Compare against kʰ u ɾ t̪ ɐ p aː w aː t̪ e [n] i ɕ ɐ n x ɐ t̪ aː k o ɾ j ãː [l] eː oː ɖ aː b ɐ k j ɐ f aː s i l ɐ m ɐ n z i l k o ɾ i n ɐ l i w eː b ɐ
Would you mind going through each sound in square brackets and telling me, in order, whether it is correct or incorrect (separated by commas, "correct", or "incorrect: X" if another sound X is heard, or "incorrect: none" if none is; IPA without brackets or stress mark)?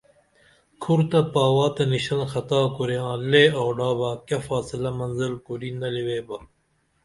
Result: correct, correct